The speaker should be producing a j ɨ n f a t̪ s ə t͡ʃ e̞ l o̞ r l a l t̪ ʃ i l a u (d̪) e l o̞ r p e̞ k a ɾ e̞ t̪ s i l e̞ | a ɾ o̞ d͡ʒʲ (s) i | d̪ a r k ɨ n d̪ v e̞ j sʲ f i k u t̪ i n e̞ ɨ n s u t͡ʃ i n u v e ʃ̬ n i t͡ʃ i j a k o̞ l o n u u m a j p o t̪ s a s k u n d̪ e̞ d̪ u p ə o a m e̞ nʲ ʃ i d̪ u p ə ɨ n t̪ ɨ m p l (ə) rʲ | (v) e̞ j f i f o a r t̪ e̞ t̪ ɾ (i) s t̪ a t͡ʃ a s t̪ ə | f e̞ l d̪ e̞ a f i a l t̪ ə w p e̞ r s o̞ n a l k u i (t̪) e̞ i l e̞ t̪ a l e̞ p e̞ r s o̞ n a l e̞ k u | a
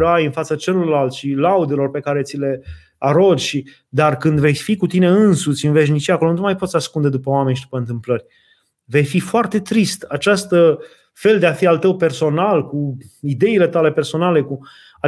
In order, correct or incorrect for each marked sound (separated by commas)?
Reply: correct, incorrect, correct, correct, correct, incorrect